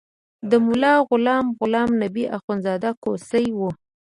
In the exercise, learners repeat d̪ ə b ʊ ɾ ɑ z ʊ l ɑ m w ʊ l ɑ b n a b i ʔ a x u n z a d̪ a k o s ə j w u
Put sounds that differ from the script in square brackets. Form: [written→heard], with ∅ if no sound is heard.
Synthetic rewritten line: d̪ ə [b→m] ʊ [ɾ→l] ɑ [z→ɣ] ʊ l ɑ m [w→ɣ] ʊ l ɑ [b→m] n a b i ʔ a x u n z [a→ɑ] d̪ a k o s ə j w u